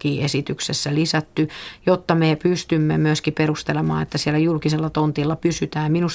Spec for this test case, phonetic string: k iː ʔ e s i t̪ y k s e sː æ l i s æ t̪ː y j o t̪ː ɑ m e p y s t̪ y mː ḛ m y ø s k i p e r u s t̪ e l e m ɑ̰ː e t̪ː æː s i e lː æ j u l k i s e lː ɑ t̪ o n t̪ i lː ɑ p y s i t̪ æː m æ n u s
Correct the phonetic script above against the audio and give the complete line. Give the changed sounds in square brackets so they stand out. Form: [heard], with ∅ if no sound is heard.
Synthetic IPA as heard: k iː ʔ e s i t̪ y k s e sː æ l i s æ t̪ː y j o t̪ː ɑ m e p y s t̪ y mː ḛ m y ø s k i p e r u s t̪ e l e m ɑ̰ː e t̪ː [æ] s i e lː æ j u l k i s e lː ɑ t̪ o n t̪ i lː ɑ p y s [y] t̪ æː m [i] n u s